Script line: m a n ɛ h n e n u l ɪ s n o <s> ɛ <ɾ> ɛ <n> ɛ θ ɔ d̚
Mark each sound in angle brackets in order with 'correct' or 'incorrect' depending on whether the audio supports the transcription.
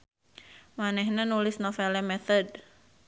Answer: incorrect, incorrect, incorrect

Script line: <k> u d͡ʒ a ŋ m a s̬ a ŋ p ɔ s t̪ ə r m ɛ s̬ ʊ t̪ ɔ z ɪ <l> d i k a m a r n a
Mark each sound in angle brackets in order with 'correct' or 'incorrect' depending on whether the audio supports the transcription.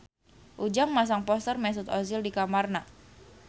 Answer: incorrect, correct

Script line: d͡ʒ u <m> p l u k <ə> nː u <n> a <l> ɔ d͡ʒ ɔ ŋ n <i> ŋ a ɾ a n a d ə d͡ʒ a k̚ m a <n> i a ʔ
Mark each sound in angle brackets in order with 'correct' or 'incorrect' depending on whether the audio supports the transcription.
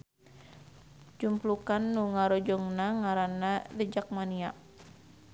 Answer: correct, incorrect, incorrect, incorrect, incorrect, correct

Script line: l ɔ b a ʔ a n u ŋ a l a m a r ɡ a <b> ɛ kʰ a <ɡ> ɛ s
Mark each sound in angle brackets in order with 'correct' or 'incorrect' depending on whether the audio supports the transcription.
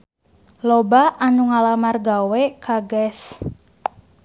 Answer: incorrect, correct

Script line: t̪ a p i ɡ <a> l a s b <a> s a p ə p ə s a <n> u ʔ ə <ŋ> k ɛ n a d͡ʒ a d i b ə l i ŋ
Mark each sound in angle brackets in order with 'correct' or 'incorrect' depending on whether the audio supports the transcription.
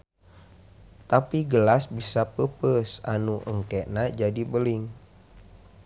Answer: incorrect, incorrect, correct, correct

